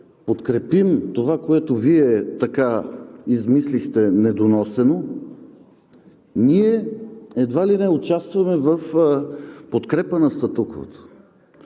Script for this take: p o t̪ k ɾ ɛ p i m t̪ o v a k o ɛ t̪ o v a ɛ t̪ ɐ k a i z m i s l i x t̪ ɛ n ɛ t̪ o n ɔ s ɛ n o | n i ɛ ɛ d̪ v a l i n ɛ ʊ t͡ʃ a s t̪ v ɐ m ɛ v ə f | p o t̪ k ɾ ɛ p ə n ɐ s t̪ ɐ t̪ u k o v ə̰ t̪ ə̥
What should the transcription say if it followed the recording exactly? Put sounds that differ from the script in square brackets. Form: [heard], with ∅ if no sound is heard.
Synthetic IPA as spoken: p o t̪ k ɾ ɛ p i m t̪ o v a k o ɛ t̪ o v [i] ɛ t̪ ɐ k a i z m i s l i x t̪ ɛ n ɛ [d̪] o n ɔ s ɛ n o | n i ɛ ɛ d̪ v a l i n ɛ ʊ t͡ʃ a s t̪ v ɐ m ɛ v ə f | p o t̪ k ɾ ɛ p ə n ɐ s t̪ ɐ t̪ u k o v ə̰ t̪ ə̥